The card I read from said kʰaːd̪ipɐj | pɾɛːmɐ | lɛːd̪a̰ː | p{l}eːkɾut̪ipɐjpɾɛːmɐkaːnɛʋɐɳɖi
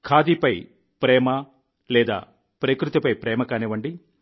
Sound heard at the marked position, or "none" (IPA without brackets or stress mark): ɾ